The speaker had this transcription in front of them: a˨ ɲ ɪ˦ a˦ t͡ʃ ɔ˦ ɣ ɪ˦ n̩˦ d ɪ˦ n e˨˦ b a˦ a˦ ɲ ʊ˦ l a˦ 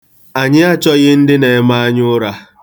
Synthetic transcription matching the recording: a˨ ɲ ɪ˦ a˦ t͡ʃ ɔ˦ ɣ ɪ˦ n̩˦ d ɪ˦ n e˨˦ m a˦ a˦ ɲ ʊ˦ ɾ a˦